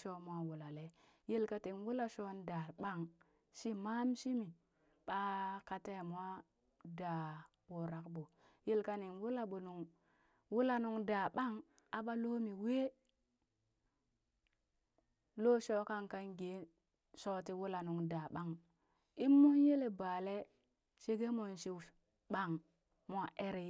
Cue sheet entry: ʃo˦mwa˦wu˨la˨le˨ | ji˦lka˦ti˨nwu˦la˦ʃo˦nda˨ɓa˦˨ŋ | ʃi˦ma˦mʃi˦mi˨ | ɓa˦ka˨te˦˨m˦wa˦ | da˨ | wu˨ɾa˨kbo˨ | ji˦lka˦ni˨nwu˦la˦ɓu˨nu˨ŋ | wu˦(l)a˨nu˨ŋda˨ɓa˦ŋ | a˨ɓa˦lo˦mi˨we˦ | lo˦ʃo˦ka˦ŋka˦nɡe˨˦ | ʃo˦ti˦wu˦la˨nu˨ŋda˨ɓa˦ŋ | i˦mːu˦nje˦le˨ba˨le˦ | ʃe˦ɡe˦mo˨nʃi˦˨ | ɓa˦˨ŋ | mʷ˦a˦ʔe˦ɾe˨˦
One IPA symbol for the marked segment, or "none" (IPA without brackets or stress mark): l